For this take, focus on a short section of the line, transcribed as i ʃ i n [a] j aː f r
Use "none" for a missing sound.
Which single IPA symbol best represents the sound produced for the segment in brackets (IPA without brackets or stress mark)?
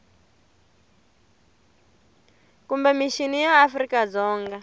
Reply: i